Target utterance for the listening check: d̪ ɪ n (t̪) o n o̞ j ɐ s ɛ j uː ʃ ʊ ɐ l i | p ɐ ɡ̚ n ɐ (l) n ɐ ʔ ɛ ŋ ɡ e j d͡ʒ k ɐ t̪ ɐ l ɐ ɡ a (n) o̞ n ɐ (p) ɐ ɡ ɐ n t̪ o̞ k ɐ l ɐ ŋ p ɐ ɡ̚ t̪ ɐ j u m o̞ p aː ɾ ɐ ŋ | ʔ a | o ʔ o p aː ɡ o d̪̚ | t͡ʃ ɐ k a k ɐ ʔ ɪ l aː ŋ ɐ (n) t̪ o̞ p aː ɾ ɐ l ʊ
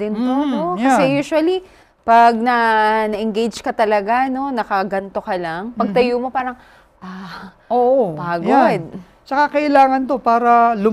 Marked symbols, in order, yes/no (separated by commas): yes, no, yes, no, yes